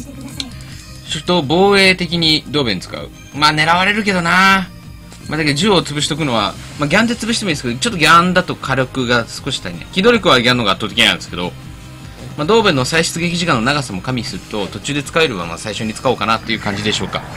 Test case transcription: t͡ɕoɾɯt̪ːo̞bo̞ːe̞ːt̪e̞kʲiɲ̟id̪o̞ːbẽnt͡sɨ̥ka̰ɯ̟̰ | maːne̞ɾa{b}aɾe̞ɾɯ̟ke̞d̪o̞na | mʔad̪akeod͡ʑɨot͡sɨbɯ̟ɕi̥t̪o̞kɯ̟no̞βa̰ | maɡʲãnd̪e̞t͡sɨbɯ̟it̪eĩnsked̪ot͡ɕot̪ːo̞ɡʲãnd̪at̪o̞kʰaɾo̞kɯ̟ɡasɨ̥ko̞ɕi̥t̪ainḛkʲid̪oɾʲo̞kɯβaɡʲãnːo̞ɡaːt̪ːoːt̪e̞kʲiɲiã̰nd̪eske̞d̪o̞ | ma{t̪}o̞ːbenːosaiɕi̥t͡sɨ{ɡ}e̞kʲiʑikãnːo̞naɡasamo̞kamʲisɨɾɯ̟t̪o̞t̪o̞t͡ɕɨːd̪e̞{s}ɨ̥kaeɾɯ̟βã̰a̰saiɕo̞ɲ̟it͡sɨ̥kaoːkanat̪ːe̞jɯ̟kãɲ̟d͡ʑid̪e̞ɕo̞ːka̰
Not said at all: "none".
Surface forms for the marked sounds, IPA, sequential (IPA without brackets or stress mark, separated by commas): β, d̪, ɡ, t͡s